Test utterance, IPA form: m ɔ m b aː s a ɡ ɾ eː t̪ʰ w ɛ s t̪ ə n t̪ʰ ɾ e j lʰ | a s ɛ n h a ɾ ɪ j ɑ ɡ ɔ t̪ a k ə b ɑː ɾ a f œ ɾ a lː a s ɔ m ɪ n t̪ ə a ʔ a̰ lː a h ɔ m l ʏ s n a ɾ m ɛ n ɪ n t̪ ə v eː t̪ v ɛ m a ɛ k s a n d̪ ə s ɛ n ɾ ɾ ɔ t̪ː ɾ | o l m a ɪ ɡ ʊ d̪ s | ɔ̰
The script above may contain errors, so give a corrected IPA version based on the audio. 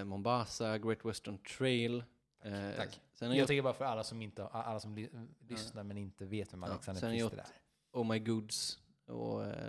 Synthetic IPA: m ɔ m b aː s a ɡ ɾ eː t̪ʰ w ɛ s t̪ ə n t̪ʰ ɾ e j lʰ | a s ɛ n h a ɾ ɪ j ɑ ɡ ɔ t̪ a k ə b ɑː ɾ a f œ ɾ a lː a s ɔ m ɪ n t̪ ə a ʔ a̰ lː a s ɔ m l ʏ s n a ɾ m ɛ n ɪ n t̪ ə v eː t̪ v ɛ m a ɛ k s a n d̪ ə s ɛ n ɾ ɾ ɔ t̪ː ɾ | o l m a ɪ ɡ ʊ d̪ s | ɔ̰